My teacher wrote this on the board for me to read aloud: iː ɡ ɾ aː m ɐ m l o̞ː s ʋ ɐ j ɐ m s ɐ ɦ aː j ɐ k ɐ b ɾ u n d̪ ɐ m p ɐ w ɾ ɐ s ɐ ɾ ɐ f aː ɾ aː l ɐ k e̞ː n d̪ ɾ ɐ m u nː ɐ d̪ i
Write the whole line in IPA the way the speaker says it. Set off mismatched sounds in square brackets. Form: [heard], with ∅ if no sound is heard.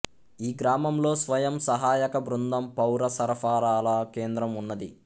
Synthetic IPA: iː ɡ ɾ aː m ɐ m l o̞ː s ʋ ɐ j ɐ m s ɐ ɦ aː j ɐ k ɐ b ɾ u n d̪ ɐ m p ɐ w ɾ ɐ s ɐ ɾ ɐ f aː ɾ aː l ɐ k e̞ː n d̪ ɾ ɐ m u nː ɐ d̪ i